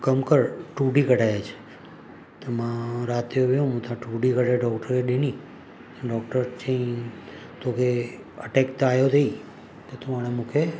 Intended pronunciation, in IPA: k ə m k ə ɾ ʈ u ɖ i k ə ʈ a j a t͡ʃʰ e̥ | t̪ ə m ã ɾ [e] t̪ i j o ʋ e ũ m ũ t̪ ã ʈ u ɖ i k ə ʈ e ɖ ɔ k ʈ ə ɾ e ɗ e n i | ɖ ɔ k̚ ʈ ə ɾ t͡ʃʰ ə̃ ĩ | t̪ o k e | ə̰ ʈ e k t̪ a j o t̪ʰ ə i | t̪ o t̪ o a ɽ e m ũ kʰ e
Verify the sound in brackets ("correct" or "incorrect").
incorrect